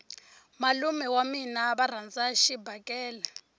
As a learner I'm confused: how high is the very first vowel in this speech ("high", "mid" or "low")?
low